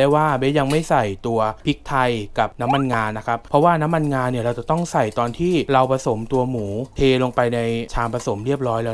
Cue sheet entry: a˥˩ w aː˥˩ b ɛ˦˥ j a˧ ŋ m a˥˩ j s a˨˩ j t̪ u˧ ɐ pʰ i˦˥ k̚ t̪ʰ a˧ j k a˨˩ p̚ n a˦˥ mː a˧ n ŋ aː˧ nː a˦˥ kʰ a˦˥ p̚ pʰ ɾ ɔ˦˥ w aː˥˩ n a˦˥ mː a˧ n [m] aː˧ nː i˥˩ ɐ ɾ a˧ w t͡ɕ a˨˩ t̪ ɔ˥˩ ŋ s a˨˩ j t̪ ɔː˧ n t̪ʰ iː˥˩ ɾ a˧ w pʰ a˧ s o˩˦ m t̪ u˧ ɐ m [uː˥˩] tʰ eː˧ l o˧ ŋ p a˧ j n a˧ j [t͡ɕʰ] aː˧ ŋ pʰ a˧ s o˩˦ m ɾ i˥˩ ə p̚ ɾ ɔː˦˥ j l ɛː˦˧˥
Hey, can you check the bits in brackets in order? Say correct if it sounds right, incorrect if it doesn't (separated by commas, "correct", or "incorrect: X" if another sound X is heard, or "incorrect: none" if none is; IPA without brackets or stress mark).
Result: incorrect: ŋ, incorrect: uː˩˦, correct